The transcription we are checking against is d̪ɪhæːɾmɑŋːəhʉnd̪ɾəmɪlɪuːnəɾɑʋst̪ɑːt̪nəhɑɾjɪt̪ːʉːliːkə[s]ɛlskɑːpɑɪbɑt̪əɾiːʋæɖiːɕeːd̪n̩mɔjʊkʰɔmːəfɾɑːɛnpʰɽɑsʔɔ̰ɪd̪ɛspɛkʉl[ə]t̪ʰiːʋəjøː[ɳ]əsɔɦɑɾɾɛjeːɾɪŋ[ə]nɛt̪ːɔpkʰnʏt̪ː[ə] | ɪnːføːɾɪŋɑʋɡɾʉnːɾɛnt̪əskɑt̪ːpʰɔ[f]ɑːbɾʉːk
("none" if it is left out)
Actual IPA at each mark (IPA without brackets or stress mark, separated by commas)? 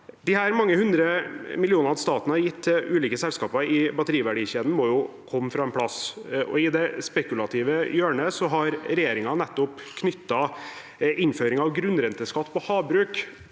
s, ɑ, ɳ, ɑ, ɑ, h